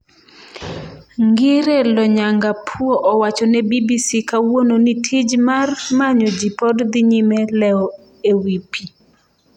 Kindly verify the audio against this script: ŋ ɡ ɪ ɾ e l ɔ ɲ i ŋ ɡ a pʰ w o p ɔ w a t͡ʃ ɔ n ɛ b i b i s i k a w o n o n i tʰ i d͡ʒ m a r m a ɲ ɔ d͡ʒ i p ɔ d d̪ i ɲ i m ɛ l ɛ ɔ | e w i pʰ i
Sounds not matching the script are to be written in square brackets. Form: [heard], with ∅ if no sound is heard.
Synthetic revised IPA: ŋ ɡ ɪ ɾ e l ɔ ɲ [a] ŋ ɡ a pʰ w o [ʔ] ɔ w a t͡ʃ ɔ n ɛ b i b i s i k a w o n o n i tʰ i d͡ʒ m a r m a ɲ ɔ d͡ʒ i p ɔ d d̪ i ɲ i m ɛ l ɛ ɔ | e w i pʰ i